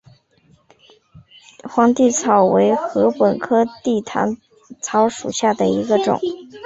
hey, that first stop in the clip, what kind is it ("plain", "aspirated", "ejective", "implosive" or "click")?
plain